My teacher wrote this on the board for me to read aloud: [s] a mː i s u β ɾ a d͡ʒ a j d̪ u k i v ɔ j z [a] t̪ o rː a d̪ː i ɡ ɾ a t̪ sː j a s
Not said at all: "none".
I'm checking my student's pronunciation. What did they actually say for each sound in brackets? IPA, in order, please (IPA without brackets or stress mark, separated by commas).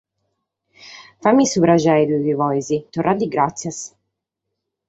f, i